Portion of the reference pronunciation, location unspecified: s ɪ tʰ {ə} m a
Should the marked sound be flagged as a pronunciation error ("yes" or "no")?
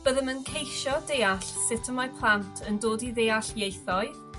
no